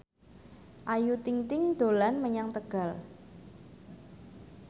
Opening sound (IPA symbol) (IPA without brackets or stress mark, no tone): ʔ